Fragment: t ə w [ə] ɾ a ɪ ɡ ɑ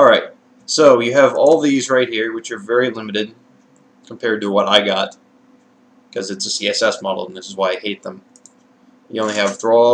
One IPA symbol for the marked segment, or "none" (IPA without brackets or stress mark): ʌ